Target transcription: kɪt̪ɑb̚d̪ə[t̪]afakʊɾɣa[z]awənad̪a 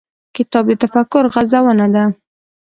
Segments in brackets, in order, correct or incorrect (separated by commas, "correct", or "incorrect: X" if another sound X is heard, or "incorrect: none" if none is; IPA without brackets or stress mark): correct, correct